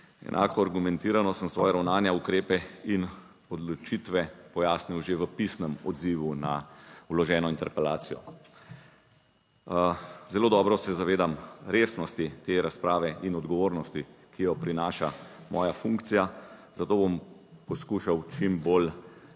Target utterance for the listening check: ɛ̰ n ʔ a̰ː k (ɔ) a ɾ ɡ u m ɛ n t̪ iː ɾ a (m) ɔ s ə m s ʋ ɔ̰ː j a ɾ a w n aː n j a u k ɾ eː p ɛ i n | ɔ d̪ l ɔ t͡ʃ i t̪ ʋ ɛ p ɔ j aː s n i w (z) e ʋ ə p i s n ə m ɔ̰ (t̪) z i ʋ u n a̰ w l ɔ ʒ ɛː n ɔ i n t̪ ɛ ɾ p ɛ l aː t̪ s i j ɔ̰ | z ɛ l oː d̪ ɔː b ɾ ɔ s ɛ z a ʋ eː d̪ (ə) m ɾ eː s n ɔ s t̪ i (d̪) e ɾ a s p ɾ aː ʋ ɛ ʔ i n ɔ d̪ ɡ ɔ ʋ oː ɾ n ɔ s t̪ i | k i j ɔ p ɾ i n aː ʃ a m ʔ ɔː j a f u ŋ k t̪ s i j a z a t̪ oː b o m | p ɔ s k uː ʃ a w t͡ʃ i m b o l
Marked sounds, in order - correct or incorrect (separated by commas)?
correct, incorrect, incorrect, incorrect, incorrect, incorrect